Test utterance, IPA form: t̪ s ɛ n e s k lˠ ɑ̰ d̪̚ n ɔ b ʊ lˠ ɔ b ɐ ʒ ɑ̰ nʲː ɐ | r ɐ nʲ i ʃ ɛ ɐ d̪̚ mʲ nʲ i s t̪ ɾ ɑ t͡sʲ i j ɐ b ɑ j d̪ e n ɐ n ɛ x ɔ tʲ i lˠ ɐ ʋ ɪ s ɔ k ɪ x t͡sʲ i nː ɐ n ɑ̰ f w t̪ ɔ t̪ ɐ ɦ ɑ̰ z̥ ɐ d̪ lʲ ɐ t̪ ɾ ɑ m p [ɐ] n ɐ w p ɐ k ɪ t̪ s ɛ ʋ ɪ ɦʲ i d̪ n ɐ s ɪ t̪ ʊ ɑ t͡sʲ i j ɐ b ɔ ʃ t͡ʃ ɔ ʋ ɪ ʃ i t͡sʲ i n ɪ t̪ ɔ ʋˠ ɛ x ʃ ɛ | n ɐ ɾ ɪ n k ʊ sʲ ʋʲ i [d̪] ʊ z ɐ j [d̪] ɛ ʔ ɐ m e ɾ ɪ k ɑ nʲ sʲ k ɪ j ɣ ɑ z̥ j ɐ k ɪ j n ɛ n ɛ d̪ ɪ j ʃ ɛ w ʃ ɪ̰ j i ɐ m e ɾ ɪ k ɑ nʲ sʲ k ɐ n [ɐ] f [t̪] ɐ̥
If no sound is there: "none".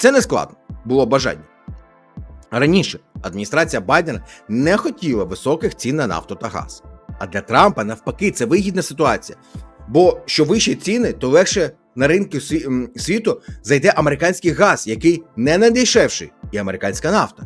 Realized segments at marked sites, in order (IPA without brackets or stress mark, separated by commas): ɐ, t̪, d̪, ɑ, t̪